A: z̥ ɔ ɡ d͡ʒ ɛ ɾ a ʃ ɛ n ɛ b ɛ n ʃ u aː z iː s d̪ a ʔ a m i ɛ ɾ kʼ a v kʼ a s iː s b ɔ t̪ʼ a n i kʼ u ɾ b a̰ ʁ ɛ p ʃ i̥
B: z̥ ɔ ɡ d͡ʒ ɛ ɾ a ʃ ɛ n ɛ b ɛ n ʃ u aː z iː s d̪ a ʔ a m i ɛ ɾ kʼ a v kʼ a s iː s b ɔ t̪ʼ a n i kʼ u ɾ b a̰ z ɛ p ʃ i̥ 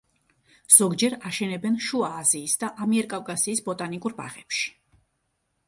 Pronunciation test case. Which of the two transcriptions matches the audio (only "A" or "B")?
A